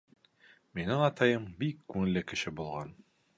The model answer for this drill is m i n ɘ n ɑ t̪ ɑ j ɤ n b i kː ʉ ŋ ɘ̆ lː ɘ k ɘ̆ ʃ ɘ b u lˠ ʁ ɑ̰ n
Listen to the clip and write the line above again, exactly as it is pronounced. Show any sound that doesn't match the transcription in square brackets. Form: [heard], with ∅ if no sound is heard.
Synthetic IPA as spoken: m i n ɘ [ŋ] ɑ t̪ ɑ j ɤ [m] b i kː ʉ ŋ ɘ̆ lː ɘ k ɘ̆ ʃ ɘ b u lˠ ʁ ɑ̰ n